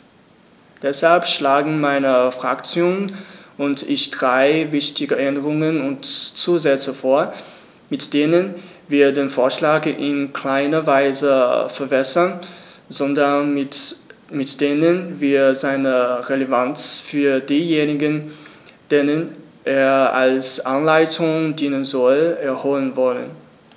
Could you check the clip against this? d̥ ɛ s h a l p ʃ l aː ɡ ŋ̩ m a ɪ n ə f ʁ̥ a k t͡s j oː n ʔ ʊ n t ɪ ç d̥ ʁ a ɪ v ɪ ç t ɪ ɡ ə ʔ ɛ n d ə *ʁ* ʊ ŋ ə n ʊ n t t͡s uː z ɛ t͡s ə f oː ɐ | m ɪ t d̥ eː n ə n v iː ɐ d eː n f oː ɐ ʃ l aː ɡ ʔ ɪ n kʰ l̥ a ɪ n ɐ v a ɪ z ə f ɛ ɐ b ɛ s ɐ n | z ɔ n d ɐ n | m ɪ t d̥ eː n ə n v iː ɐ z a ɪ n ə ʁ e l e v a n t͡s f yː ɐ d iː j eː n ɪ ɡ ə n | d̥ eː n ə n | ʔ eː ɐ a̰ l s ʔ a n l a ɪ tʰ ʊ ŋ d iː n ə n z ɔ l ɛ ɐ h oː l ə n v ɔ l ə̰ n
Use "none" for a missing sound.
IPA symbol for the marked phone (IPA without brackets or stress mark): ʁ